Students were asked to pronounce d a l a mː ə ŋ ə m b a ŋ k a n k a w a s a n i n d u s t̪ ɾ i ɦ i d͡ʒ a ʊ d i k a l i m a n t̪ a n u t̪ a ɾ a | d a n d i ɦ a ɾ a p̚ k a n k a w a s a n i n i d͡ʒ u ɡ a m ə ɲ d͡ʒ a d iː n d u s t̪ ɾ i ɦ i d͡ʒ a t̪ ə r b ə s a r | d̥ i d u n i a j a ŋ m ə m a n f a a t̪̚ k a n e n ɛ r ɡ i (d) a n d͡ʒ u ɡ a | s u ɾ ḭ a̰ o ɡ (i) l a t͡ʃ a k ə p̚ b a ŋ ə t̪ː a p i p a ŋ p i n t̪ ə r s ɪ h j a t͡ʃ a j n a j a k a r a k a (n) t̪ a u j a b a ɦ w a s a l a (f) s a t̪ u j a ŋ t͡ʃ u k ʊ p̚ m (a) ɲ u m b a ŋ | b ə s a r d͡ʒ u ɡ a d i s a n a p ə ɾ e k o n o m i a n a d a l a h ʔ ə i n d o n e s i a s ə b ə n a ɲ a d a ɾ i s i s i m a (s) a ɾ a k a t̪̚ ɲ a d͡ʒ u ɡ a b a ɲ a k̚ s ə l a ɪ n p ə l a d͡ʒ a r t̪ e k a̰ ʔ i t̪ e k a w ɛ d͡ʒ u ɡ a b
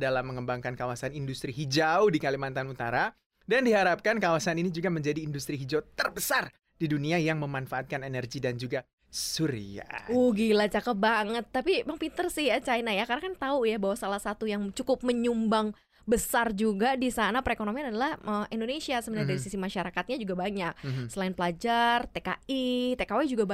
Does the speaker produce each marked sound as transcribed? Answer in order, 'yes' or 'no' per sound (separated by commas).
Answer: yes, yes, yes, no, no, no